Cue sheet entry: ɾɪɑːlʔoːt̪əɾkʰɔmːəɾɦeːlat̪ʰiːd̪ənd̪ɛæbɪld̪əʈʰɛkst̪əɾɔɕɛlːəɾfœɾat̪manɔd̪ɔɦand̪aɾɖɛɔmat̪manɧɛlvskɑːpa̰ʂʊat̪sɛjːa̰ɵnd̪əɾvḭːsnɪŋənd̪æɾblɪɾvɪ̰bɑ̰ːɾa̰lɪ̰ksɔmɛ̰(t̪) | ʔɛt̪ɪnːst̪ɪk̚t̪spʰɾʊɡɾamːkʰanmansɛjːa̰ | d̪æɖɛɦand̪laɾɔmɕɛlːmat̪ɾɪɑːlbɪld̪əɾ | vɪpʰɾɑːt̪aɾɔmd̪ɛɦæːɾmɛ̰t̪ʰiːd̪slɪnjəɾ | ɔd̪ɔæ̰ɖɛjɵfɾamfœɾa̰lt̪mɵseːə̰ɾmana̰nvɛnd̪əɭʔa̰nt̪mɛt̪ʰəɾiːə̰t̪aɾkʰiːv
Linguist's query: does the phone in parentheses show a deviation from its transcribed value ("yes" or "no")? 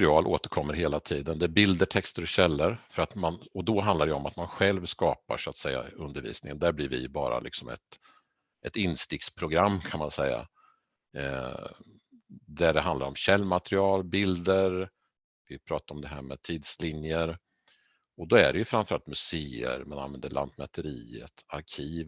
no